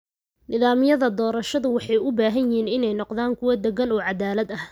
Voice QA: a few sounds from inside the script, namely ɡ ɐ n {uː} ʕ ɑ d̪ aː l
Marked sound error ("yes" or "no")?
yes